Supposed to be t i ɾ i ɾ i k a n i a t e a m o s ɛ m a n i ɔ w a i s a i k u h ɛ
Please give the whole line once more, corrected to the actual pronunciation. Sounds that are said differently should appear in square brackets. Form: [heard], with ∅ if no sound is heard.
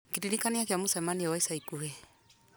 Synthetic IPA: [k] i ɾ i ɾ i k a n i a [k] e a m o s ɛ m a n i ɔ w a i s a i k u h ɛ